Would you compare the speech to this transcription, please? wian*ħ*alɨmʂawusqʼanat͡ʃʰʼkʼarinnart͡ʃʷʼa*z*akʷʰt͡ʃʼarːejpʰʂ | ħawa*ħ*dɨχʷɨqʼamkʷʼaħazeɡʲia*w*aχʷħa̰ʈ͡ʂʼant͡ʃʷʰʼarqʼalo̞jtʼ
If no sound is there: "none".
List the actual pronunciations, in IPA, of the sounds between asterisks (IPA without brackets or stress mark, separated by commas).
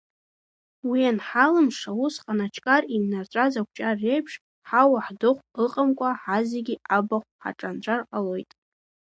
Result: ħ, z, ħ, b